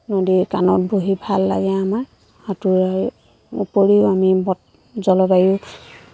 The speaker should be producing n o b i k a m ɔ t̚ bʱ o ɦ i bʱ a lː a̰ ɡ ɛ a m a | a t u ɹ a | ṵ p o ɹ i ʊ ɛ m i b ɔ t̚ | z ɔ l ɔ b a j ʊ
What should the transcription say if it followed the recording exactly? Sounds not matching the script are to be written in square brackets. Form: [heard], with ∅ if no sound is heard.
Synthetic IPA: n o [d] i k a [n] ɔ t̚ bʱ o ɦ i bʱ a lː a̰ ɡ ɛ a m a | a t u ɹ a | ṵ p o ɹ i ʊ [a] m i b ɔ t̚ | z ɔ l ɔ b a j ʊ